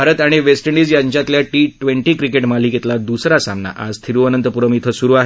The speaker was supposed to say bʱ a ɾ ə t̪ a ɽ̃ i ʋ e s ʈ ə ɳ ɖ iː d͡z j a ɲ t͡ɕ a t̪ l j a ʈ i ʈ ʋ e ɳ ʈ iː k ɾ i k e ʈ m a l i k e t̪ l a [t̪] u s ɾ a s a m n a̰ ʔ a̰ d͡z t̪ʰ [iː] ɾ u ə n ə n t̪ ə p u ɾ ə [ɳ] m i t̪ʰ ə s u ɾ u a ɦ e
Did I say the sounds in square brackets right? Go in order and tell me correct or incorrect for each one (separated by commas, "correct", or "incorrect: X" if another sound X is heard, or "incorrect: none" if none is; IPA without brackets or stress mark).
incorrect: d̪, incorrect: i, incorrect: none